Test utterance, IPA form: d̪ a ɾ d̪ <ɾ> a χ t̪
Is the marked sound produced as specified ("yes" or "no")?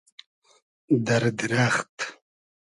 yes